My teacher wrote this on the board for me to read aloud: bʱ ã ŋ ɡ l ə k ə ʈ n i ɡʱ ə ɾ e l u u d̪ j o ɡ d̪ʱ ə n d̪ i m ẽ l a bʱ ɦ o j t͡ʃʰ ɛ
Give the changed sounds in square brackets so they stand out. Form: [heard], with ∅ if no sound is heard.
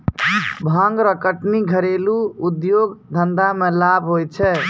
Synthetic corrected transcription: bʱ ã ŋ ɡ [ɾ] ə k ə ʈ n i ɡʱ ə ɾ e l u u d̪ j o ɡ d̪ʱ ə n d̪ [a] m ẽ l a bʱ ɦ o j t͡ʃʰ ɛ